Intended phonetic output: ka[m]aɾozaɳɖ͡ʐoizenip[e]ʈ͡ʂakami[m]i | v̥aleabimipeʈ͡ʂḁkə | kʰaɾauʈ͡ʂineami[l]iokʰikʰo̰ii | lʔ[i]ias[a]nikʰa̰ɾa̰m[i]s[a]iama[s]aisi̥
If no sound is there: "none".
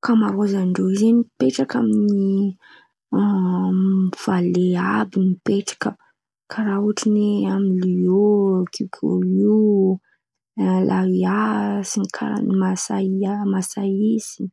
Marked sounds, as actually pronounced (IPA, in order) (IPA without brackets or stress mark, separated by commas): m, e, n, l, a, i, a, a, s